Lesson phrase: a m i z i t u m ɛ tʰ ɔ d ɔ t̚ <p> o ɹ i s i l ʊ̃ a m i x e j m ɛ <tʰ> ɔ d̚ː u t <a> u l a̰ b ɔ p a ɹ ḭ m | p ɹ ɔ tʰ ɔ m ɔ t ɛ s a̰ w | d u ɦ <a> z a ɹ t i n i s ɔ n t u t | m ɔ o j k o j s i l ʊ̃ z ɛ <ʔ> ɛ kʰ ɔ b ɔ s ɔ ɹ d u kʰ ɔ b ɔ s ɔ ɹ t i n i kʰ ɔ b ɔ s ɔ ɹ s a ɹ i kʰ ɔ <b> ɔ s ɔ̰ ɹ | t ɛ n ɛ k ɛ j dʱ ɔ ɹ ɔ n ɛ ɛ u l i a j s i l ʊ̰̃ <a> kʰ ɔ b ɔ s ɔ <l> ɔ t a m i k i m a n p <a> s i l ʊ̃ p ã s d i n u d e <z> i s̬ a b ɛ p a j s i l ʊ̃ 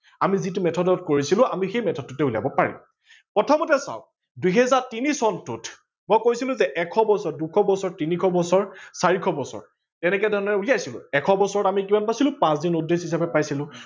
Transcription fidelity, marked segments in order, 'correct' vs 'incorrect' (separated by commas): incorrect, correct, incorrect, incorrect, correct, correct, incorrect, incorrect, correct, incorrect